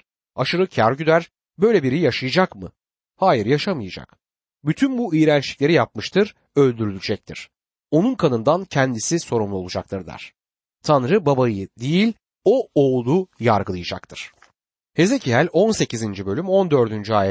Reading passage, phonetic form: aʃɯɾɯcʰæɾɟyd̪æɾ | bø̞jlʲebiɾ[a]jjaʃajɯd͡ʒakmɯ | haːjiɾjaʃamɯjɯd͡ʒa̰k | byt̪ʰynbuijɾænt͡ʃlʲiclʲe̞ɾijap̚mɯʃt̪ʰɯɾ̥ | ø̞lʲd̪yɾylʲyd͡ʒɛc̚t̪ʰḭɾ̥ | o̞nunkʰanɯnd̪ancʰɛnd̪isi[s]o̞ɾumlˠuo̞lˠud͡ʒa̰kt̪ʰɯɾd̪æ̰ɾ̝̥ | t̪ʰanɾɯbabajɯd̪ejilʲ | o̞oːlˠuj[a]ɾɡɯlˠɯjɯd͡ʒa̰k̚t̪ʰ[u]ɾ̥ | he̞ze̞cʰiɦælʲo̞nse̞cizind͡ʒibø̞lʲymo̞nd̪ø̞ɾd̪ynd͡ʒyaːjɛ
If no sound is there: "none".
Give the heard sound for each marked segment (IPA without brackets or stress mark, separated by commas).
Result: i, s, a, ɯ